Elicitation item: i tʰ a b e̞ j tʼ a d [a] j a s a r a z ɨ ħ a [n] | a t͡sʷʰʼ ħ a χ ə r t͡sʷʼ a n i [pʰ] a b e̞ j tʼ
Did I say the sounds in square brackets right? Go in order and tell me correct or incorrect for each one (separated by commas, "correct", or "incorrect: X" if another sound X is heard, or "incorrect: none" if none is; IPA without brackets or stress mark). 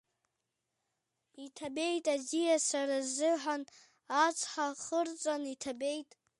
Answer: incorrect: i, correct, incorrect: tʰ